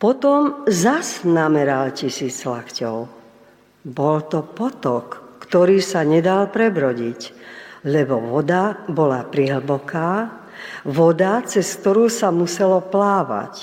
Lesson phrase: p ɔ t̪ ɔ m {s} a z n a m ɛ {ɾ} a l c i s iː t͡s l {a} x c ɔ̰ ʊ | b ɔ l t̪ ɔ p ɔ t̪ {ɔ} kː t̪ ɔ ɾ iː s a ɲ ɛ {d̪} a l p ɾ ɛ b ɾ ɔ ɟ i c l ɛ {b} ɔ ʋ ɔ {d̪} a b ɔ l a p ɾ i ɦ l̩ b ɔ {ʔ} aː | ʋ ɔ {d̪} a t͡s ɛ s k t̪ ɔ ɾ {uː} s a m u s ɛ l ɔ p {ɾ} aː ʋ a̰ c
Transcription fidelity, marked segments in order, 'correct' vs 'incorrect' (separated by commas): incorrect, correct, correct, correct, correct, correct, correct, incorrect, correct, correct, incorrect